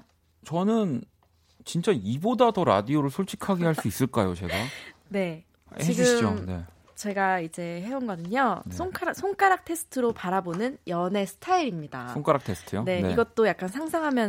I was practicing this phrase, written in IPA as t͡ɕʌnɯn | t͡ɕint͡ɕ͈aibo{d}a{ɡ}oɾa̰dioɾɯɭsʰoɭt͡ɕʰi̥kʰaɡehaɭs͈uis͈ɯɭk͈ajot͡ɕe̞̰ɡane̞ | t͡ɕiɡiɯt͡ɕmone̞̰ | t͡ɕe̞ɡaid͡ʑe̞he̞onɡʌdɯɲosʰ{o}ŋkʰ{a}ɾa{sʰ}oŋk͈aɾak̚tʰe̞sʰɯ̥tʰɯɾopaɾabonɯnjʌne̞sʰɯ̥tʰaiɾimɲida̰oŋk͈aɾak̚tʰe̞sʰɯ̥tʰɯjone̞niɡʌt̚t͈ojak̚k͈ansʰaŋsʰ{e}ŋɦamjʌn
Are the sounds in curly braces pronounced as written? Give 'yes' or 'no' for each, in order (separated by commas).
yes, no, yes, yes, yes, no